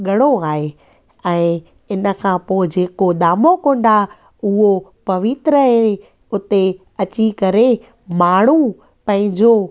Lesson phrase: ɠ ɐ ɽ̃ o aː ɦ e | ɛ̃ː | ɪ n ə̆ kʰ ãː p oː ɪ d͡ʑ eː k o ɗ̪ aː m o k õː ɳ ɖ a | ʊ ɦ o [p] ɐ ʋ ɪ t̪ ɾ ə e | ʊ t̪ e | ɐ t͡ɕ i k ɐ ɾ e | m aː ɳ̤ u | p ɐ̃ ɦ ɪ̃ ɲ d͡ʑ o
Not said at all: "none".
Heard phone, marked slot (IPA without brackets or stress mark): p